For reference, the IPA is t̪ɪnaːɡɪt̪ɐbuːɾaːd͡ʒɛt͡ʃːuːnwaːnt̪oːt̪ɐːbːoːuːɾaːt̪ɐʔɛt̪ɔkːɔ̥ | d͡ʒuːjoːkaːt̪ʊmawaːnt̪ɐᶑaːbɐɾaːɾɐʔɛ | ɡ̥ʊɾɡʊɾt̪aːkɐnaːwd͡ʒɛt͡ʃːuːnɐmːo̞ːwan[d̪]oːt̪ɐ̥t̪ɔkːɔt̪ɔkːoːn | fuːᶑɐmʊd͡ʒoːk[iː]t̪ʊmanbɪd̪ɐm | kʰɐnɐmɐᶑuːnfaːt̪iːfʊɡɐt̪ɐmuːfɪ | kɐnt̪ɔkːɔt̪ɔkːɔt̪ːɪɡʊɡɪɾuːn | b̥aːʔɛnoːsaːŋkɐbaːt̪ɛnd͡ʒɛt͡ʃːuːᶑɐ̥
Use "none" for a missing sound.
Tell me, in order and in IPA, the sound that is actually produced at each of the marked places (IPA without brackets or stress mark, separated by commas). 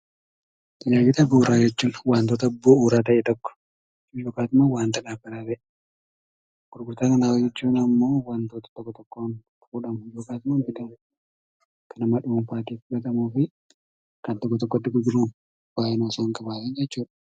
t̪, aː